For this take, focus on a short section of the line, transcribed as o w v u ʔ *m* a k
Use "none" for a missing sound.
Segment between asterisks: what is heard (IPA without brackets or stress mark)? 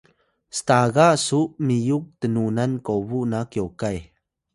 n